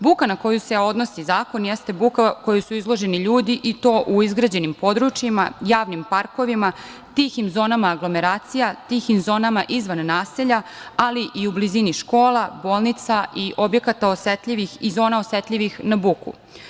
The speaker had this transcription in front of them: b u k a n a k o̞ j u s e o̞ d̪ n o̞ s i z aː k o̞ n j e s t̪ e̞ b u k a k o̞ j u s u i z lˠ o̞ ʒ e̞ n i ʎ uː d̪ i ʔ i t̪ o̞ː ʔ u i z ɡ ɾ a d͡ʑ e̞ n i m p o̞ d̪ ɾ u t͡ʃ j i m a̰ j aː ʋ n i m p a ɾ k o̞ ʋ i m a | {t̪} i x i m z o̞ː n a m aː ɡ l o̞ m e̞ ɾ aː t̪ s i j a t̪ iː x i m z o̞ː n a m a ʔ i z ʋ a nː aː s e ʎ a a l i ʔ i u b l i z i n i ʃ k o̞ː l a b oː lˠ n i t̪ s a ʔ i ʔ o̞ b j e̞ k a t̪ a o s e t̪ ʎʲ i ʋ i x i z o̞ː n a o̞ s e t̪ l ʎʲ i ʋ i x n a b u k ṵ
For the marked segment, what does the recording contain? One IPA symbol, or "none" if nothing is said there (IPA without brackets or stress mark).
t̪